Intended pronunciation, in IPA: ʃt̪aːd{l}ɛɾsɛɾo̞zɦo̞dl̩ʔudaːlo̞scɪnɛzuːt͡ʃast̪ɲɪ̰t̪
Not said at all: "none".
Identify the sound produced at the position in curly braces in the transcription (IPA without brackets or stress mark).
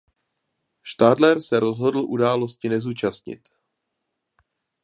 l